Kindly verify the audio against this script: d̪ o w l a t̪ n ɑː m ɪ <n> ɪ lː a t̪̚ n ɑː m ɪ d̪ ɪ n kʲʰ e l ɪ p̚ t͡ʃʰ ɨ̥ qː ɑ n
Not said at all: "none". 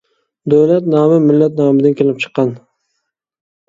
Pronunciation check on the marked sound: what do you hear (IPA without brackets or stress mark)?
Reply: m